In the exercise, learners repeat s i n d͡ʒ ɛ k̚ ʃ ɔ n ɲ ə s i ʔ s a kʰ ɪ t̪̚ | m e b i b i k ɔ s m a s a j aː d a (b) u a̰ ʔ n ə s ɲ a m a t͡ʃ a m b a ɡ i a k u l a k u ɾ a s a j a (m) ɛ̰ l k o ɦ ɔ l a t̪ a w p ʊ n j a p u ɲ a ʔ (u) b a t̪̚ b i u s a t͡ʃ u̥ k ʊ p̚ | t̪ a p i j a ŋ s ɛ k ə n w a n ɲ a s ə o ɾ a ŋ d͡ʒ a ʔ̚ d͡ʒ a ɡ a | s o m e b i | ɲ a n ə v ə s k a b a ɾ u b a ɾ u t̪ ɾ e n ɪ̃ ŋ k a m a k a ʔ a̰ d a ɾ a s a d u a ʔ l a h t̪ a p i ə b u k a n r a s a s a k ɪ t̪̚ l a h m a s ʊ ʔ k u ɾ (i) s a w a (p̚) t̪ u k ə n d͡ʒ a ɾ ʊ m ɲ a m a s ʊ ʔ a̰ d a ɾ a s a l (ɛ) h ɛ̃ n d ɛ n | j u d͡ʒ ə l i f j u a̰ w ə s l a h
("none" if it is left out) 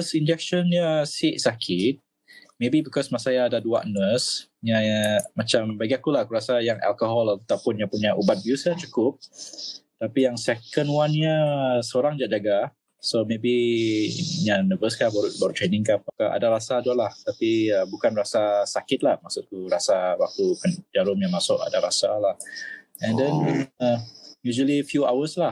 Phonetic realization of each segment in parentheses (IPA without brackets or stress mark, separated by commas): d, ŋ, u, a, k̚, a